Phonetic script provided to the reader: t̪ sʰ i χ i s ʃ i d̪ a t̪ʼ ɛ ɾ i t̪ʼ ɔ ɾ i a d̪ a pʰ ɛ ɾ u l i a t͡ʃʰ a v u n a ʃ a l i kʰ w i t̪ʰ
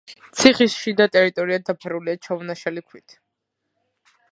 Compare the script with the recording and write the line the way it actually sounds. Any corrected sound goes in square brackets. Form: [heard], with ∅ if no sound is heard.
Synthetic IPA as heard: t̪ sʰ i χ i s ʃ i d̪ a t̪ʼ ɛ ɾ i t̪ʼ ɔ ɾ i a d̪ a pʰ ɛ ɾ u l i a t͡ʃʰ a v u n a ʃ a l i kʰ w i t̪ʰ